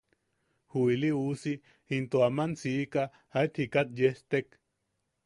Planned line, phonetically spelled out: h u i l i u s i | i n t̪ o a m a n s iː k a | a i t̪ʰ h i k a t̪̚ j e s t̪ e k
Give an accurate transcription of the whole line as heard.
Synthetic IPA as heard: h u i l i u s i | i n t̪ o a m a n s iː k a | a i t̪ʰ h i k a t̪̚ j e s t̪ e k